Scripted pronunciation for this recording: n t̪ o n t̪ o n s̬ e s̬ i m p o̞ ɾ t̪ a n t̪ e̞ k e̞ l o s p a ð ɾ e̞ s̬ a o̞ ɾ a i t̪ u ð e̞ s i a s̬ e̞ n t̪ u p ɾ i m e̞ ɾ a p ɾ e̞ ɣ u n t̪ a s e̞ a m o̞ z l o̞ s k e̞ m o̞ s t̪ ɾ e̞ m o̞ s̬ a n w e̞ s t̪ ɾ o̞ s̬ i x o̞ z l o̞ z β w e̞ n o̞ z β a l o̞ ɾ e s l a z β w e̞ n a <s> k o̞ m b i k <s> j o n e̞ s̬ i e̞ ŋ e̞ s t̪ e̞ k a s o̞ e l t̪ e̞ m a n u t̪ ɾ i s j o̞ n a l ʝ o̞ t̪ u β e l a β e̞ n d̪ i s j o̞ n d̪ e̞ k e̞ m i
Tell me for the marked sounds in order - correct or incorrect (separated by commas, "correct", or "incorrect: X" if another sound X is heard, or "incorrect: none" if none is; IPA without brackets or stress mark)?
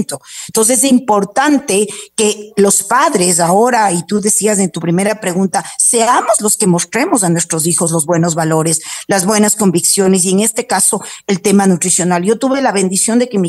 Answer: correct, correct